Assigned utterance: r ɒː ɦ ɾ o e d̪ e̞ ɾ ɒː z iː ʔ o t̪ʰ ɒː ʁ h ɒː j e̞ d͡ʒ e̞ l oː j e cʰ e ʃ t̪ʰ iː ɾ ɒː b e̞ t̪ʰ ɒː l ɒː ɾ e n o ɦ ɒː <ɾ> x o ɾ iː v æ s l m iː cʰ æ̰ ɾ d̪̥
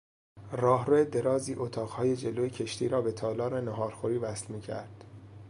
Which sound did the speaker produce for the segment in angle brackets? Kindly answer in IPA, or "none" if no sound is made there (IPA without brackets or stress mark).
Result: ɾ